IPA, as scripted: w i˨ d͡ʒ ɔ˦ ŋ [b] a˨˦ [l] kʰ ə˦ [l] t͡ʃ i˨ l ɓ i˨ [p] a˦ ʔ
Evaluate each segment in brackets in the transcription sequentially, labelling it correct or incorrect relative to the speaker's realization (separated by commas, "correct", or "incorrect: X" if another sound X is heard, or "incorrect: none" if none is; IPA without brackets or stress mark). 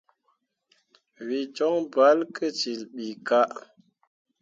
correct, correct, incorrect: none, incorrect: k